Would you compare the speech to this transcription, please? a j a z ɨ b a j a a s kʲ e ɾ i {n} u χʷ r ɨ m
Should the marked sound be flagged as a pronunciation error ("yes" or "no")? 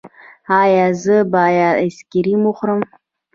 yes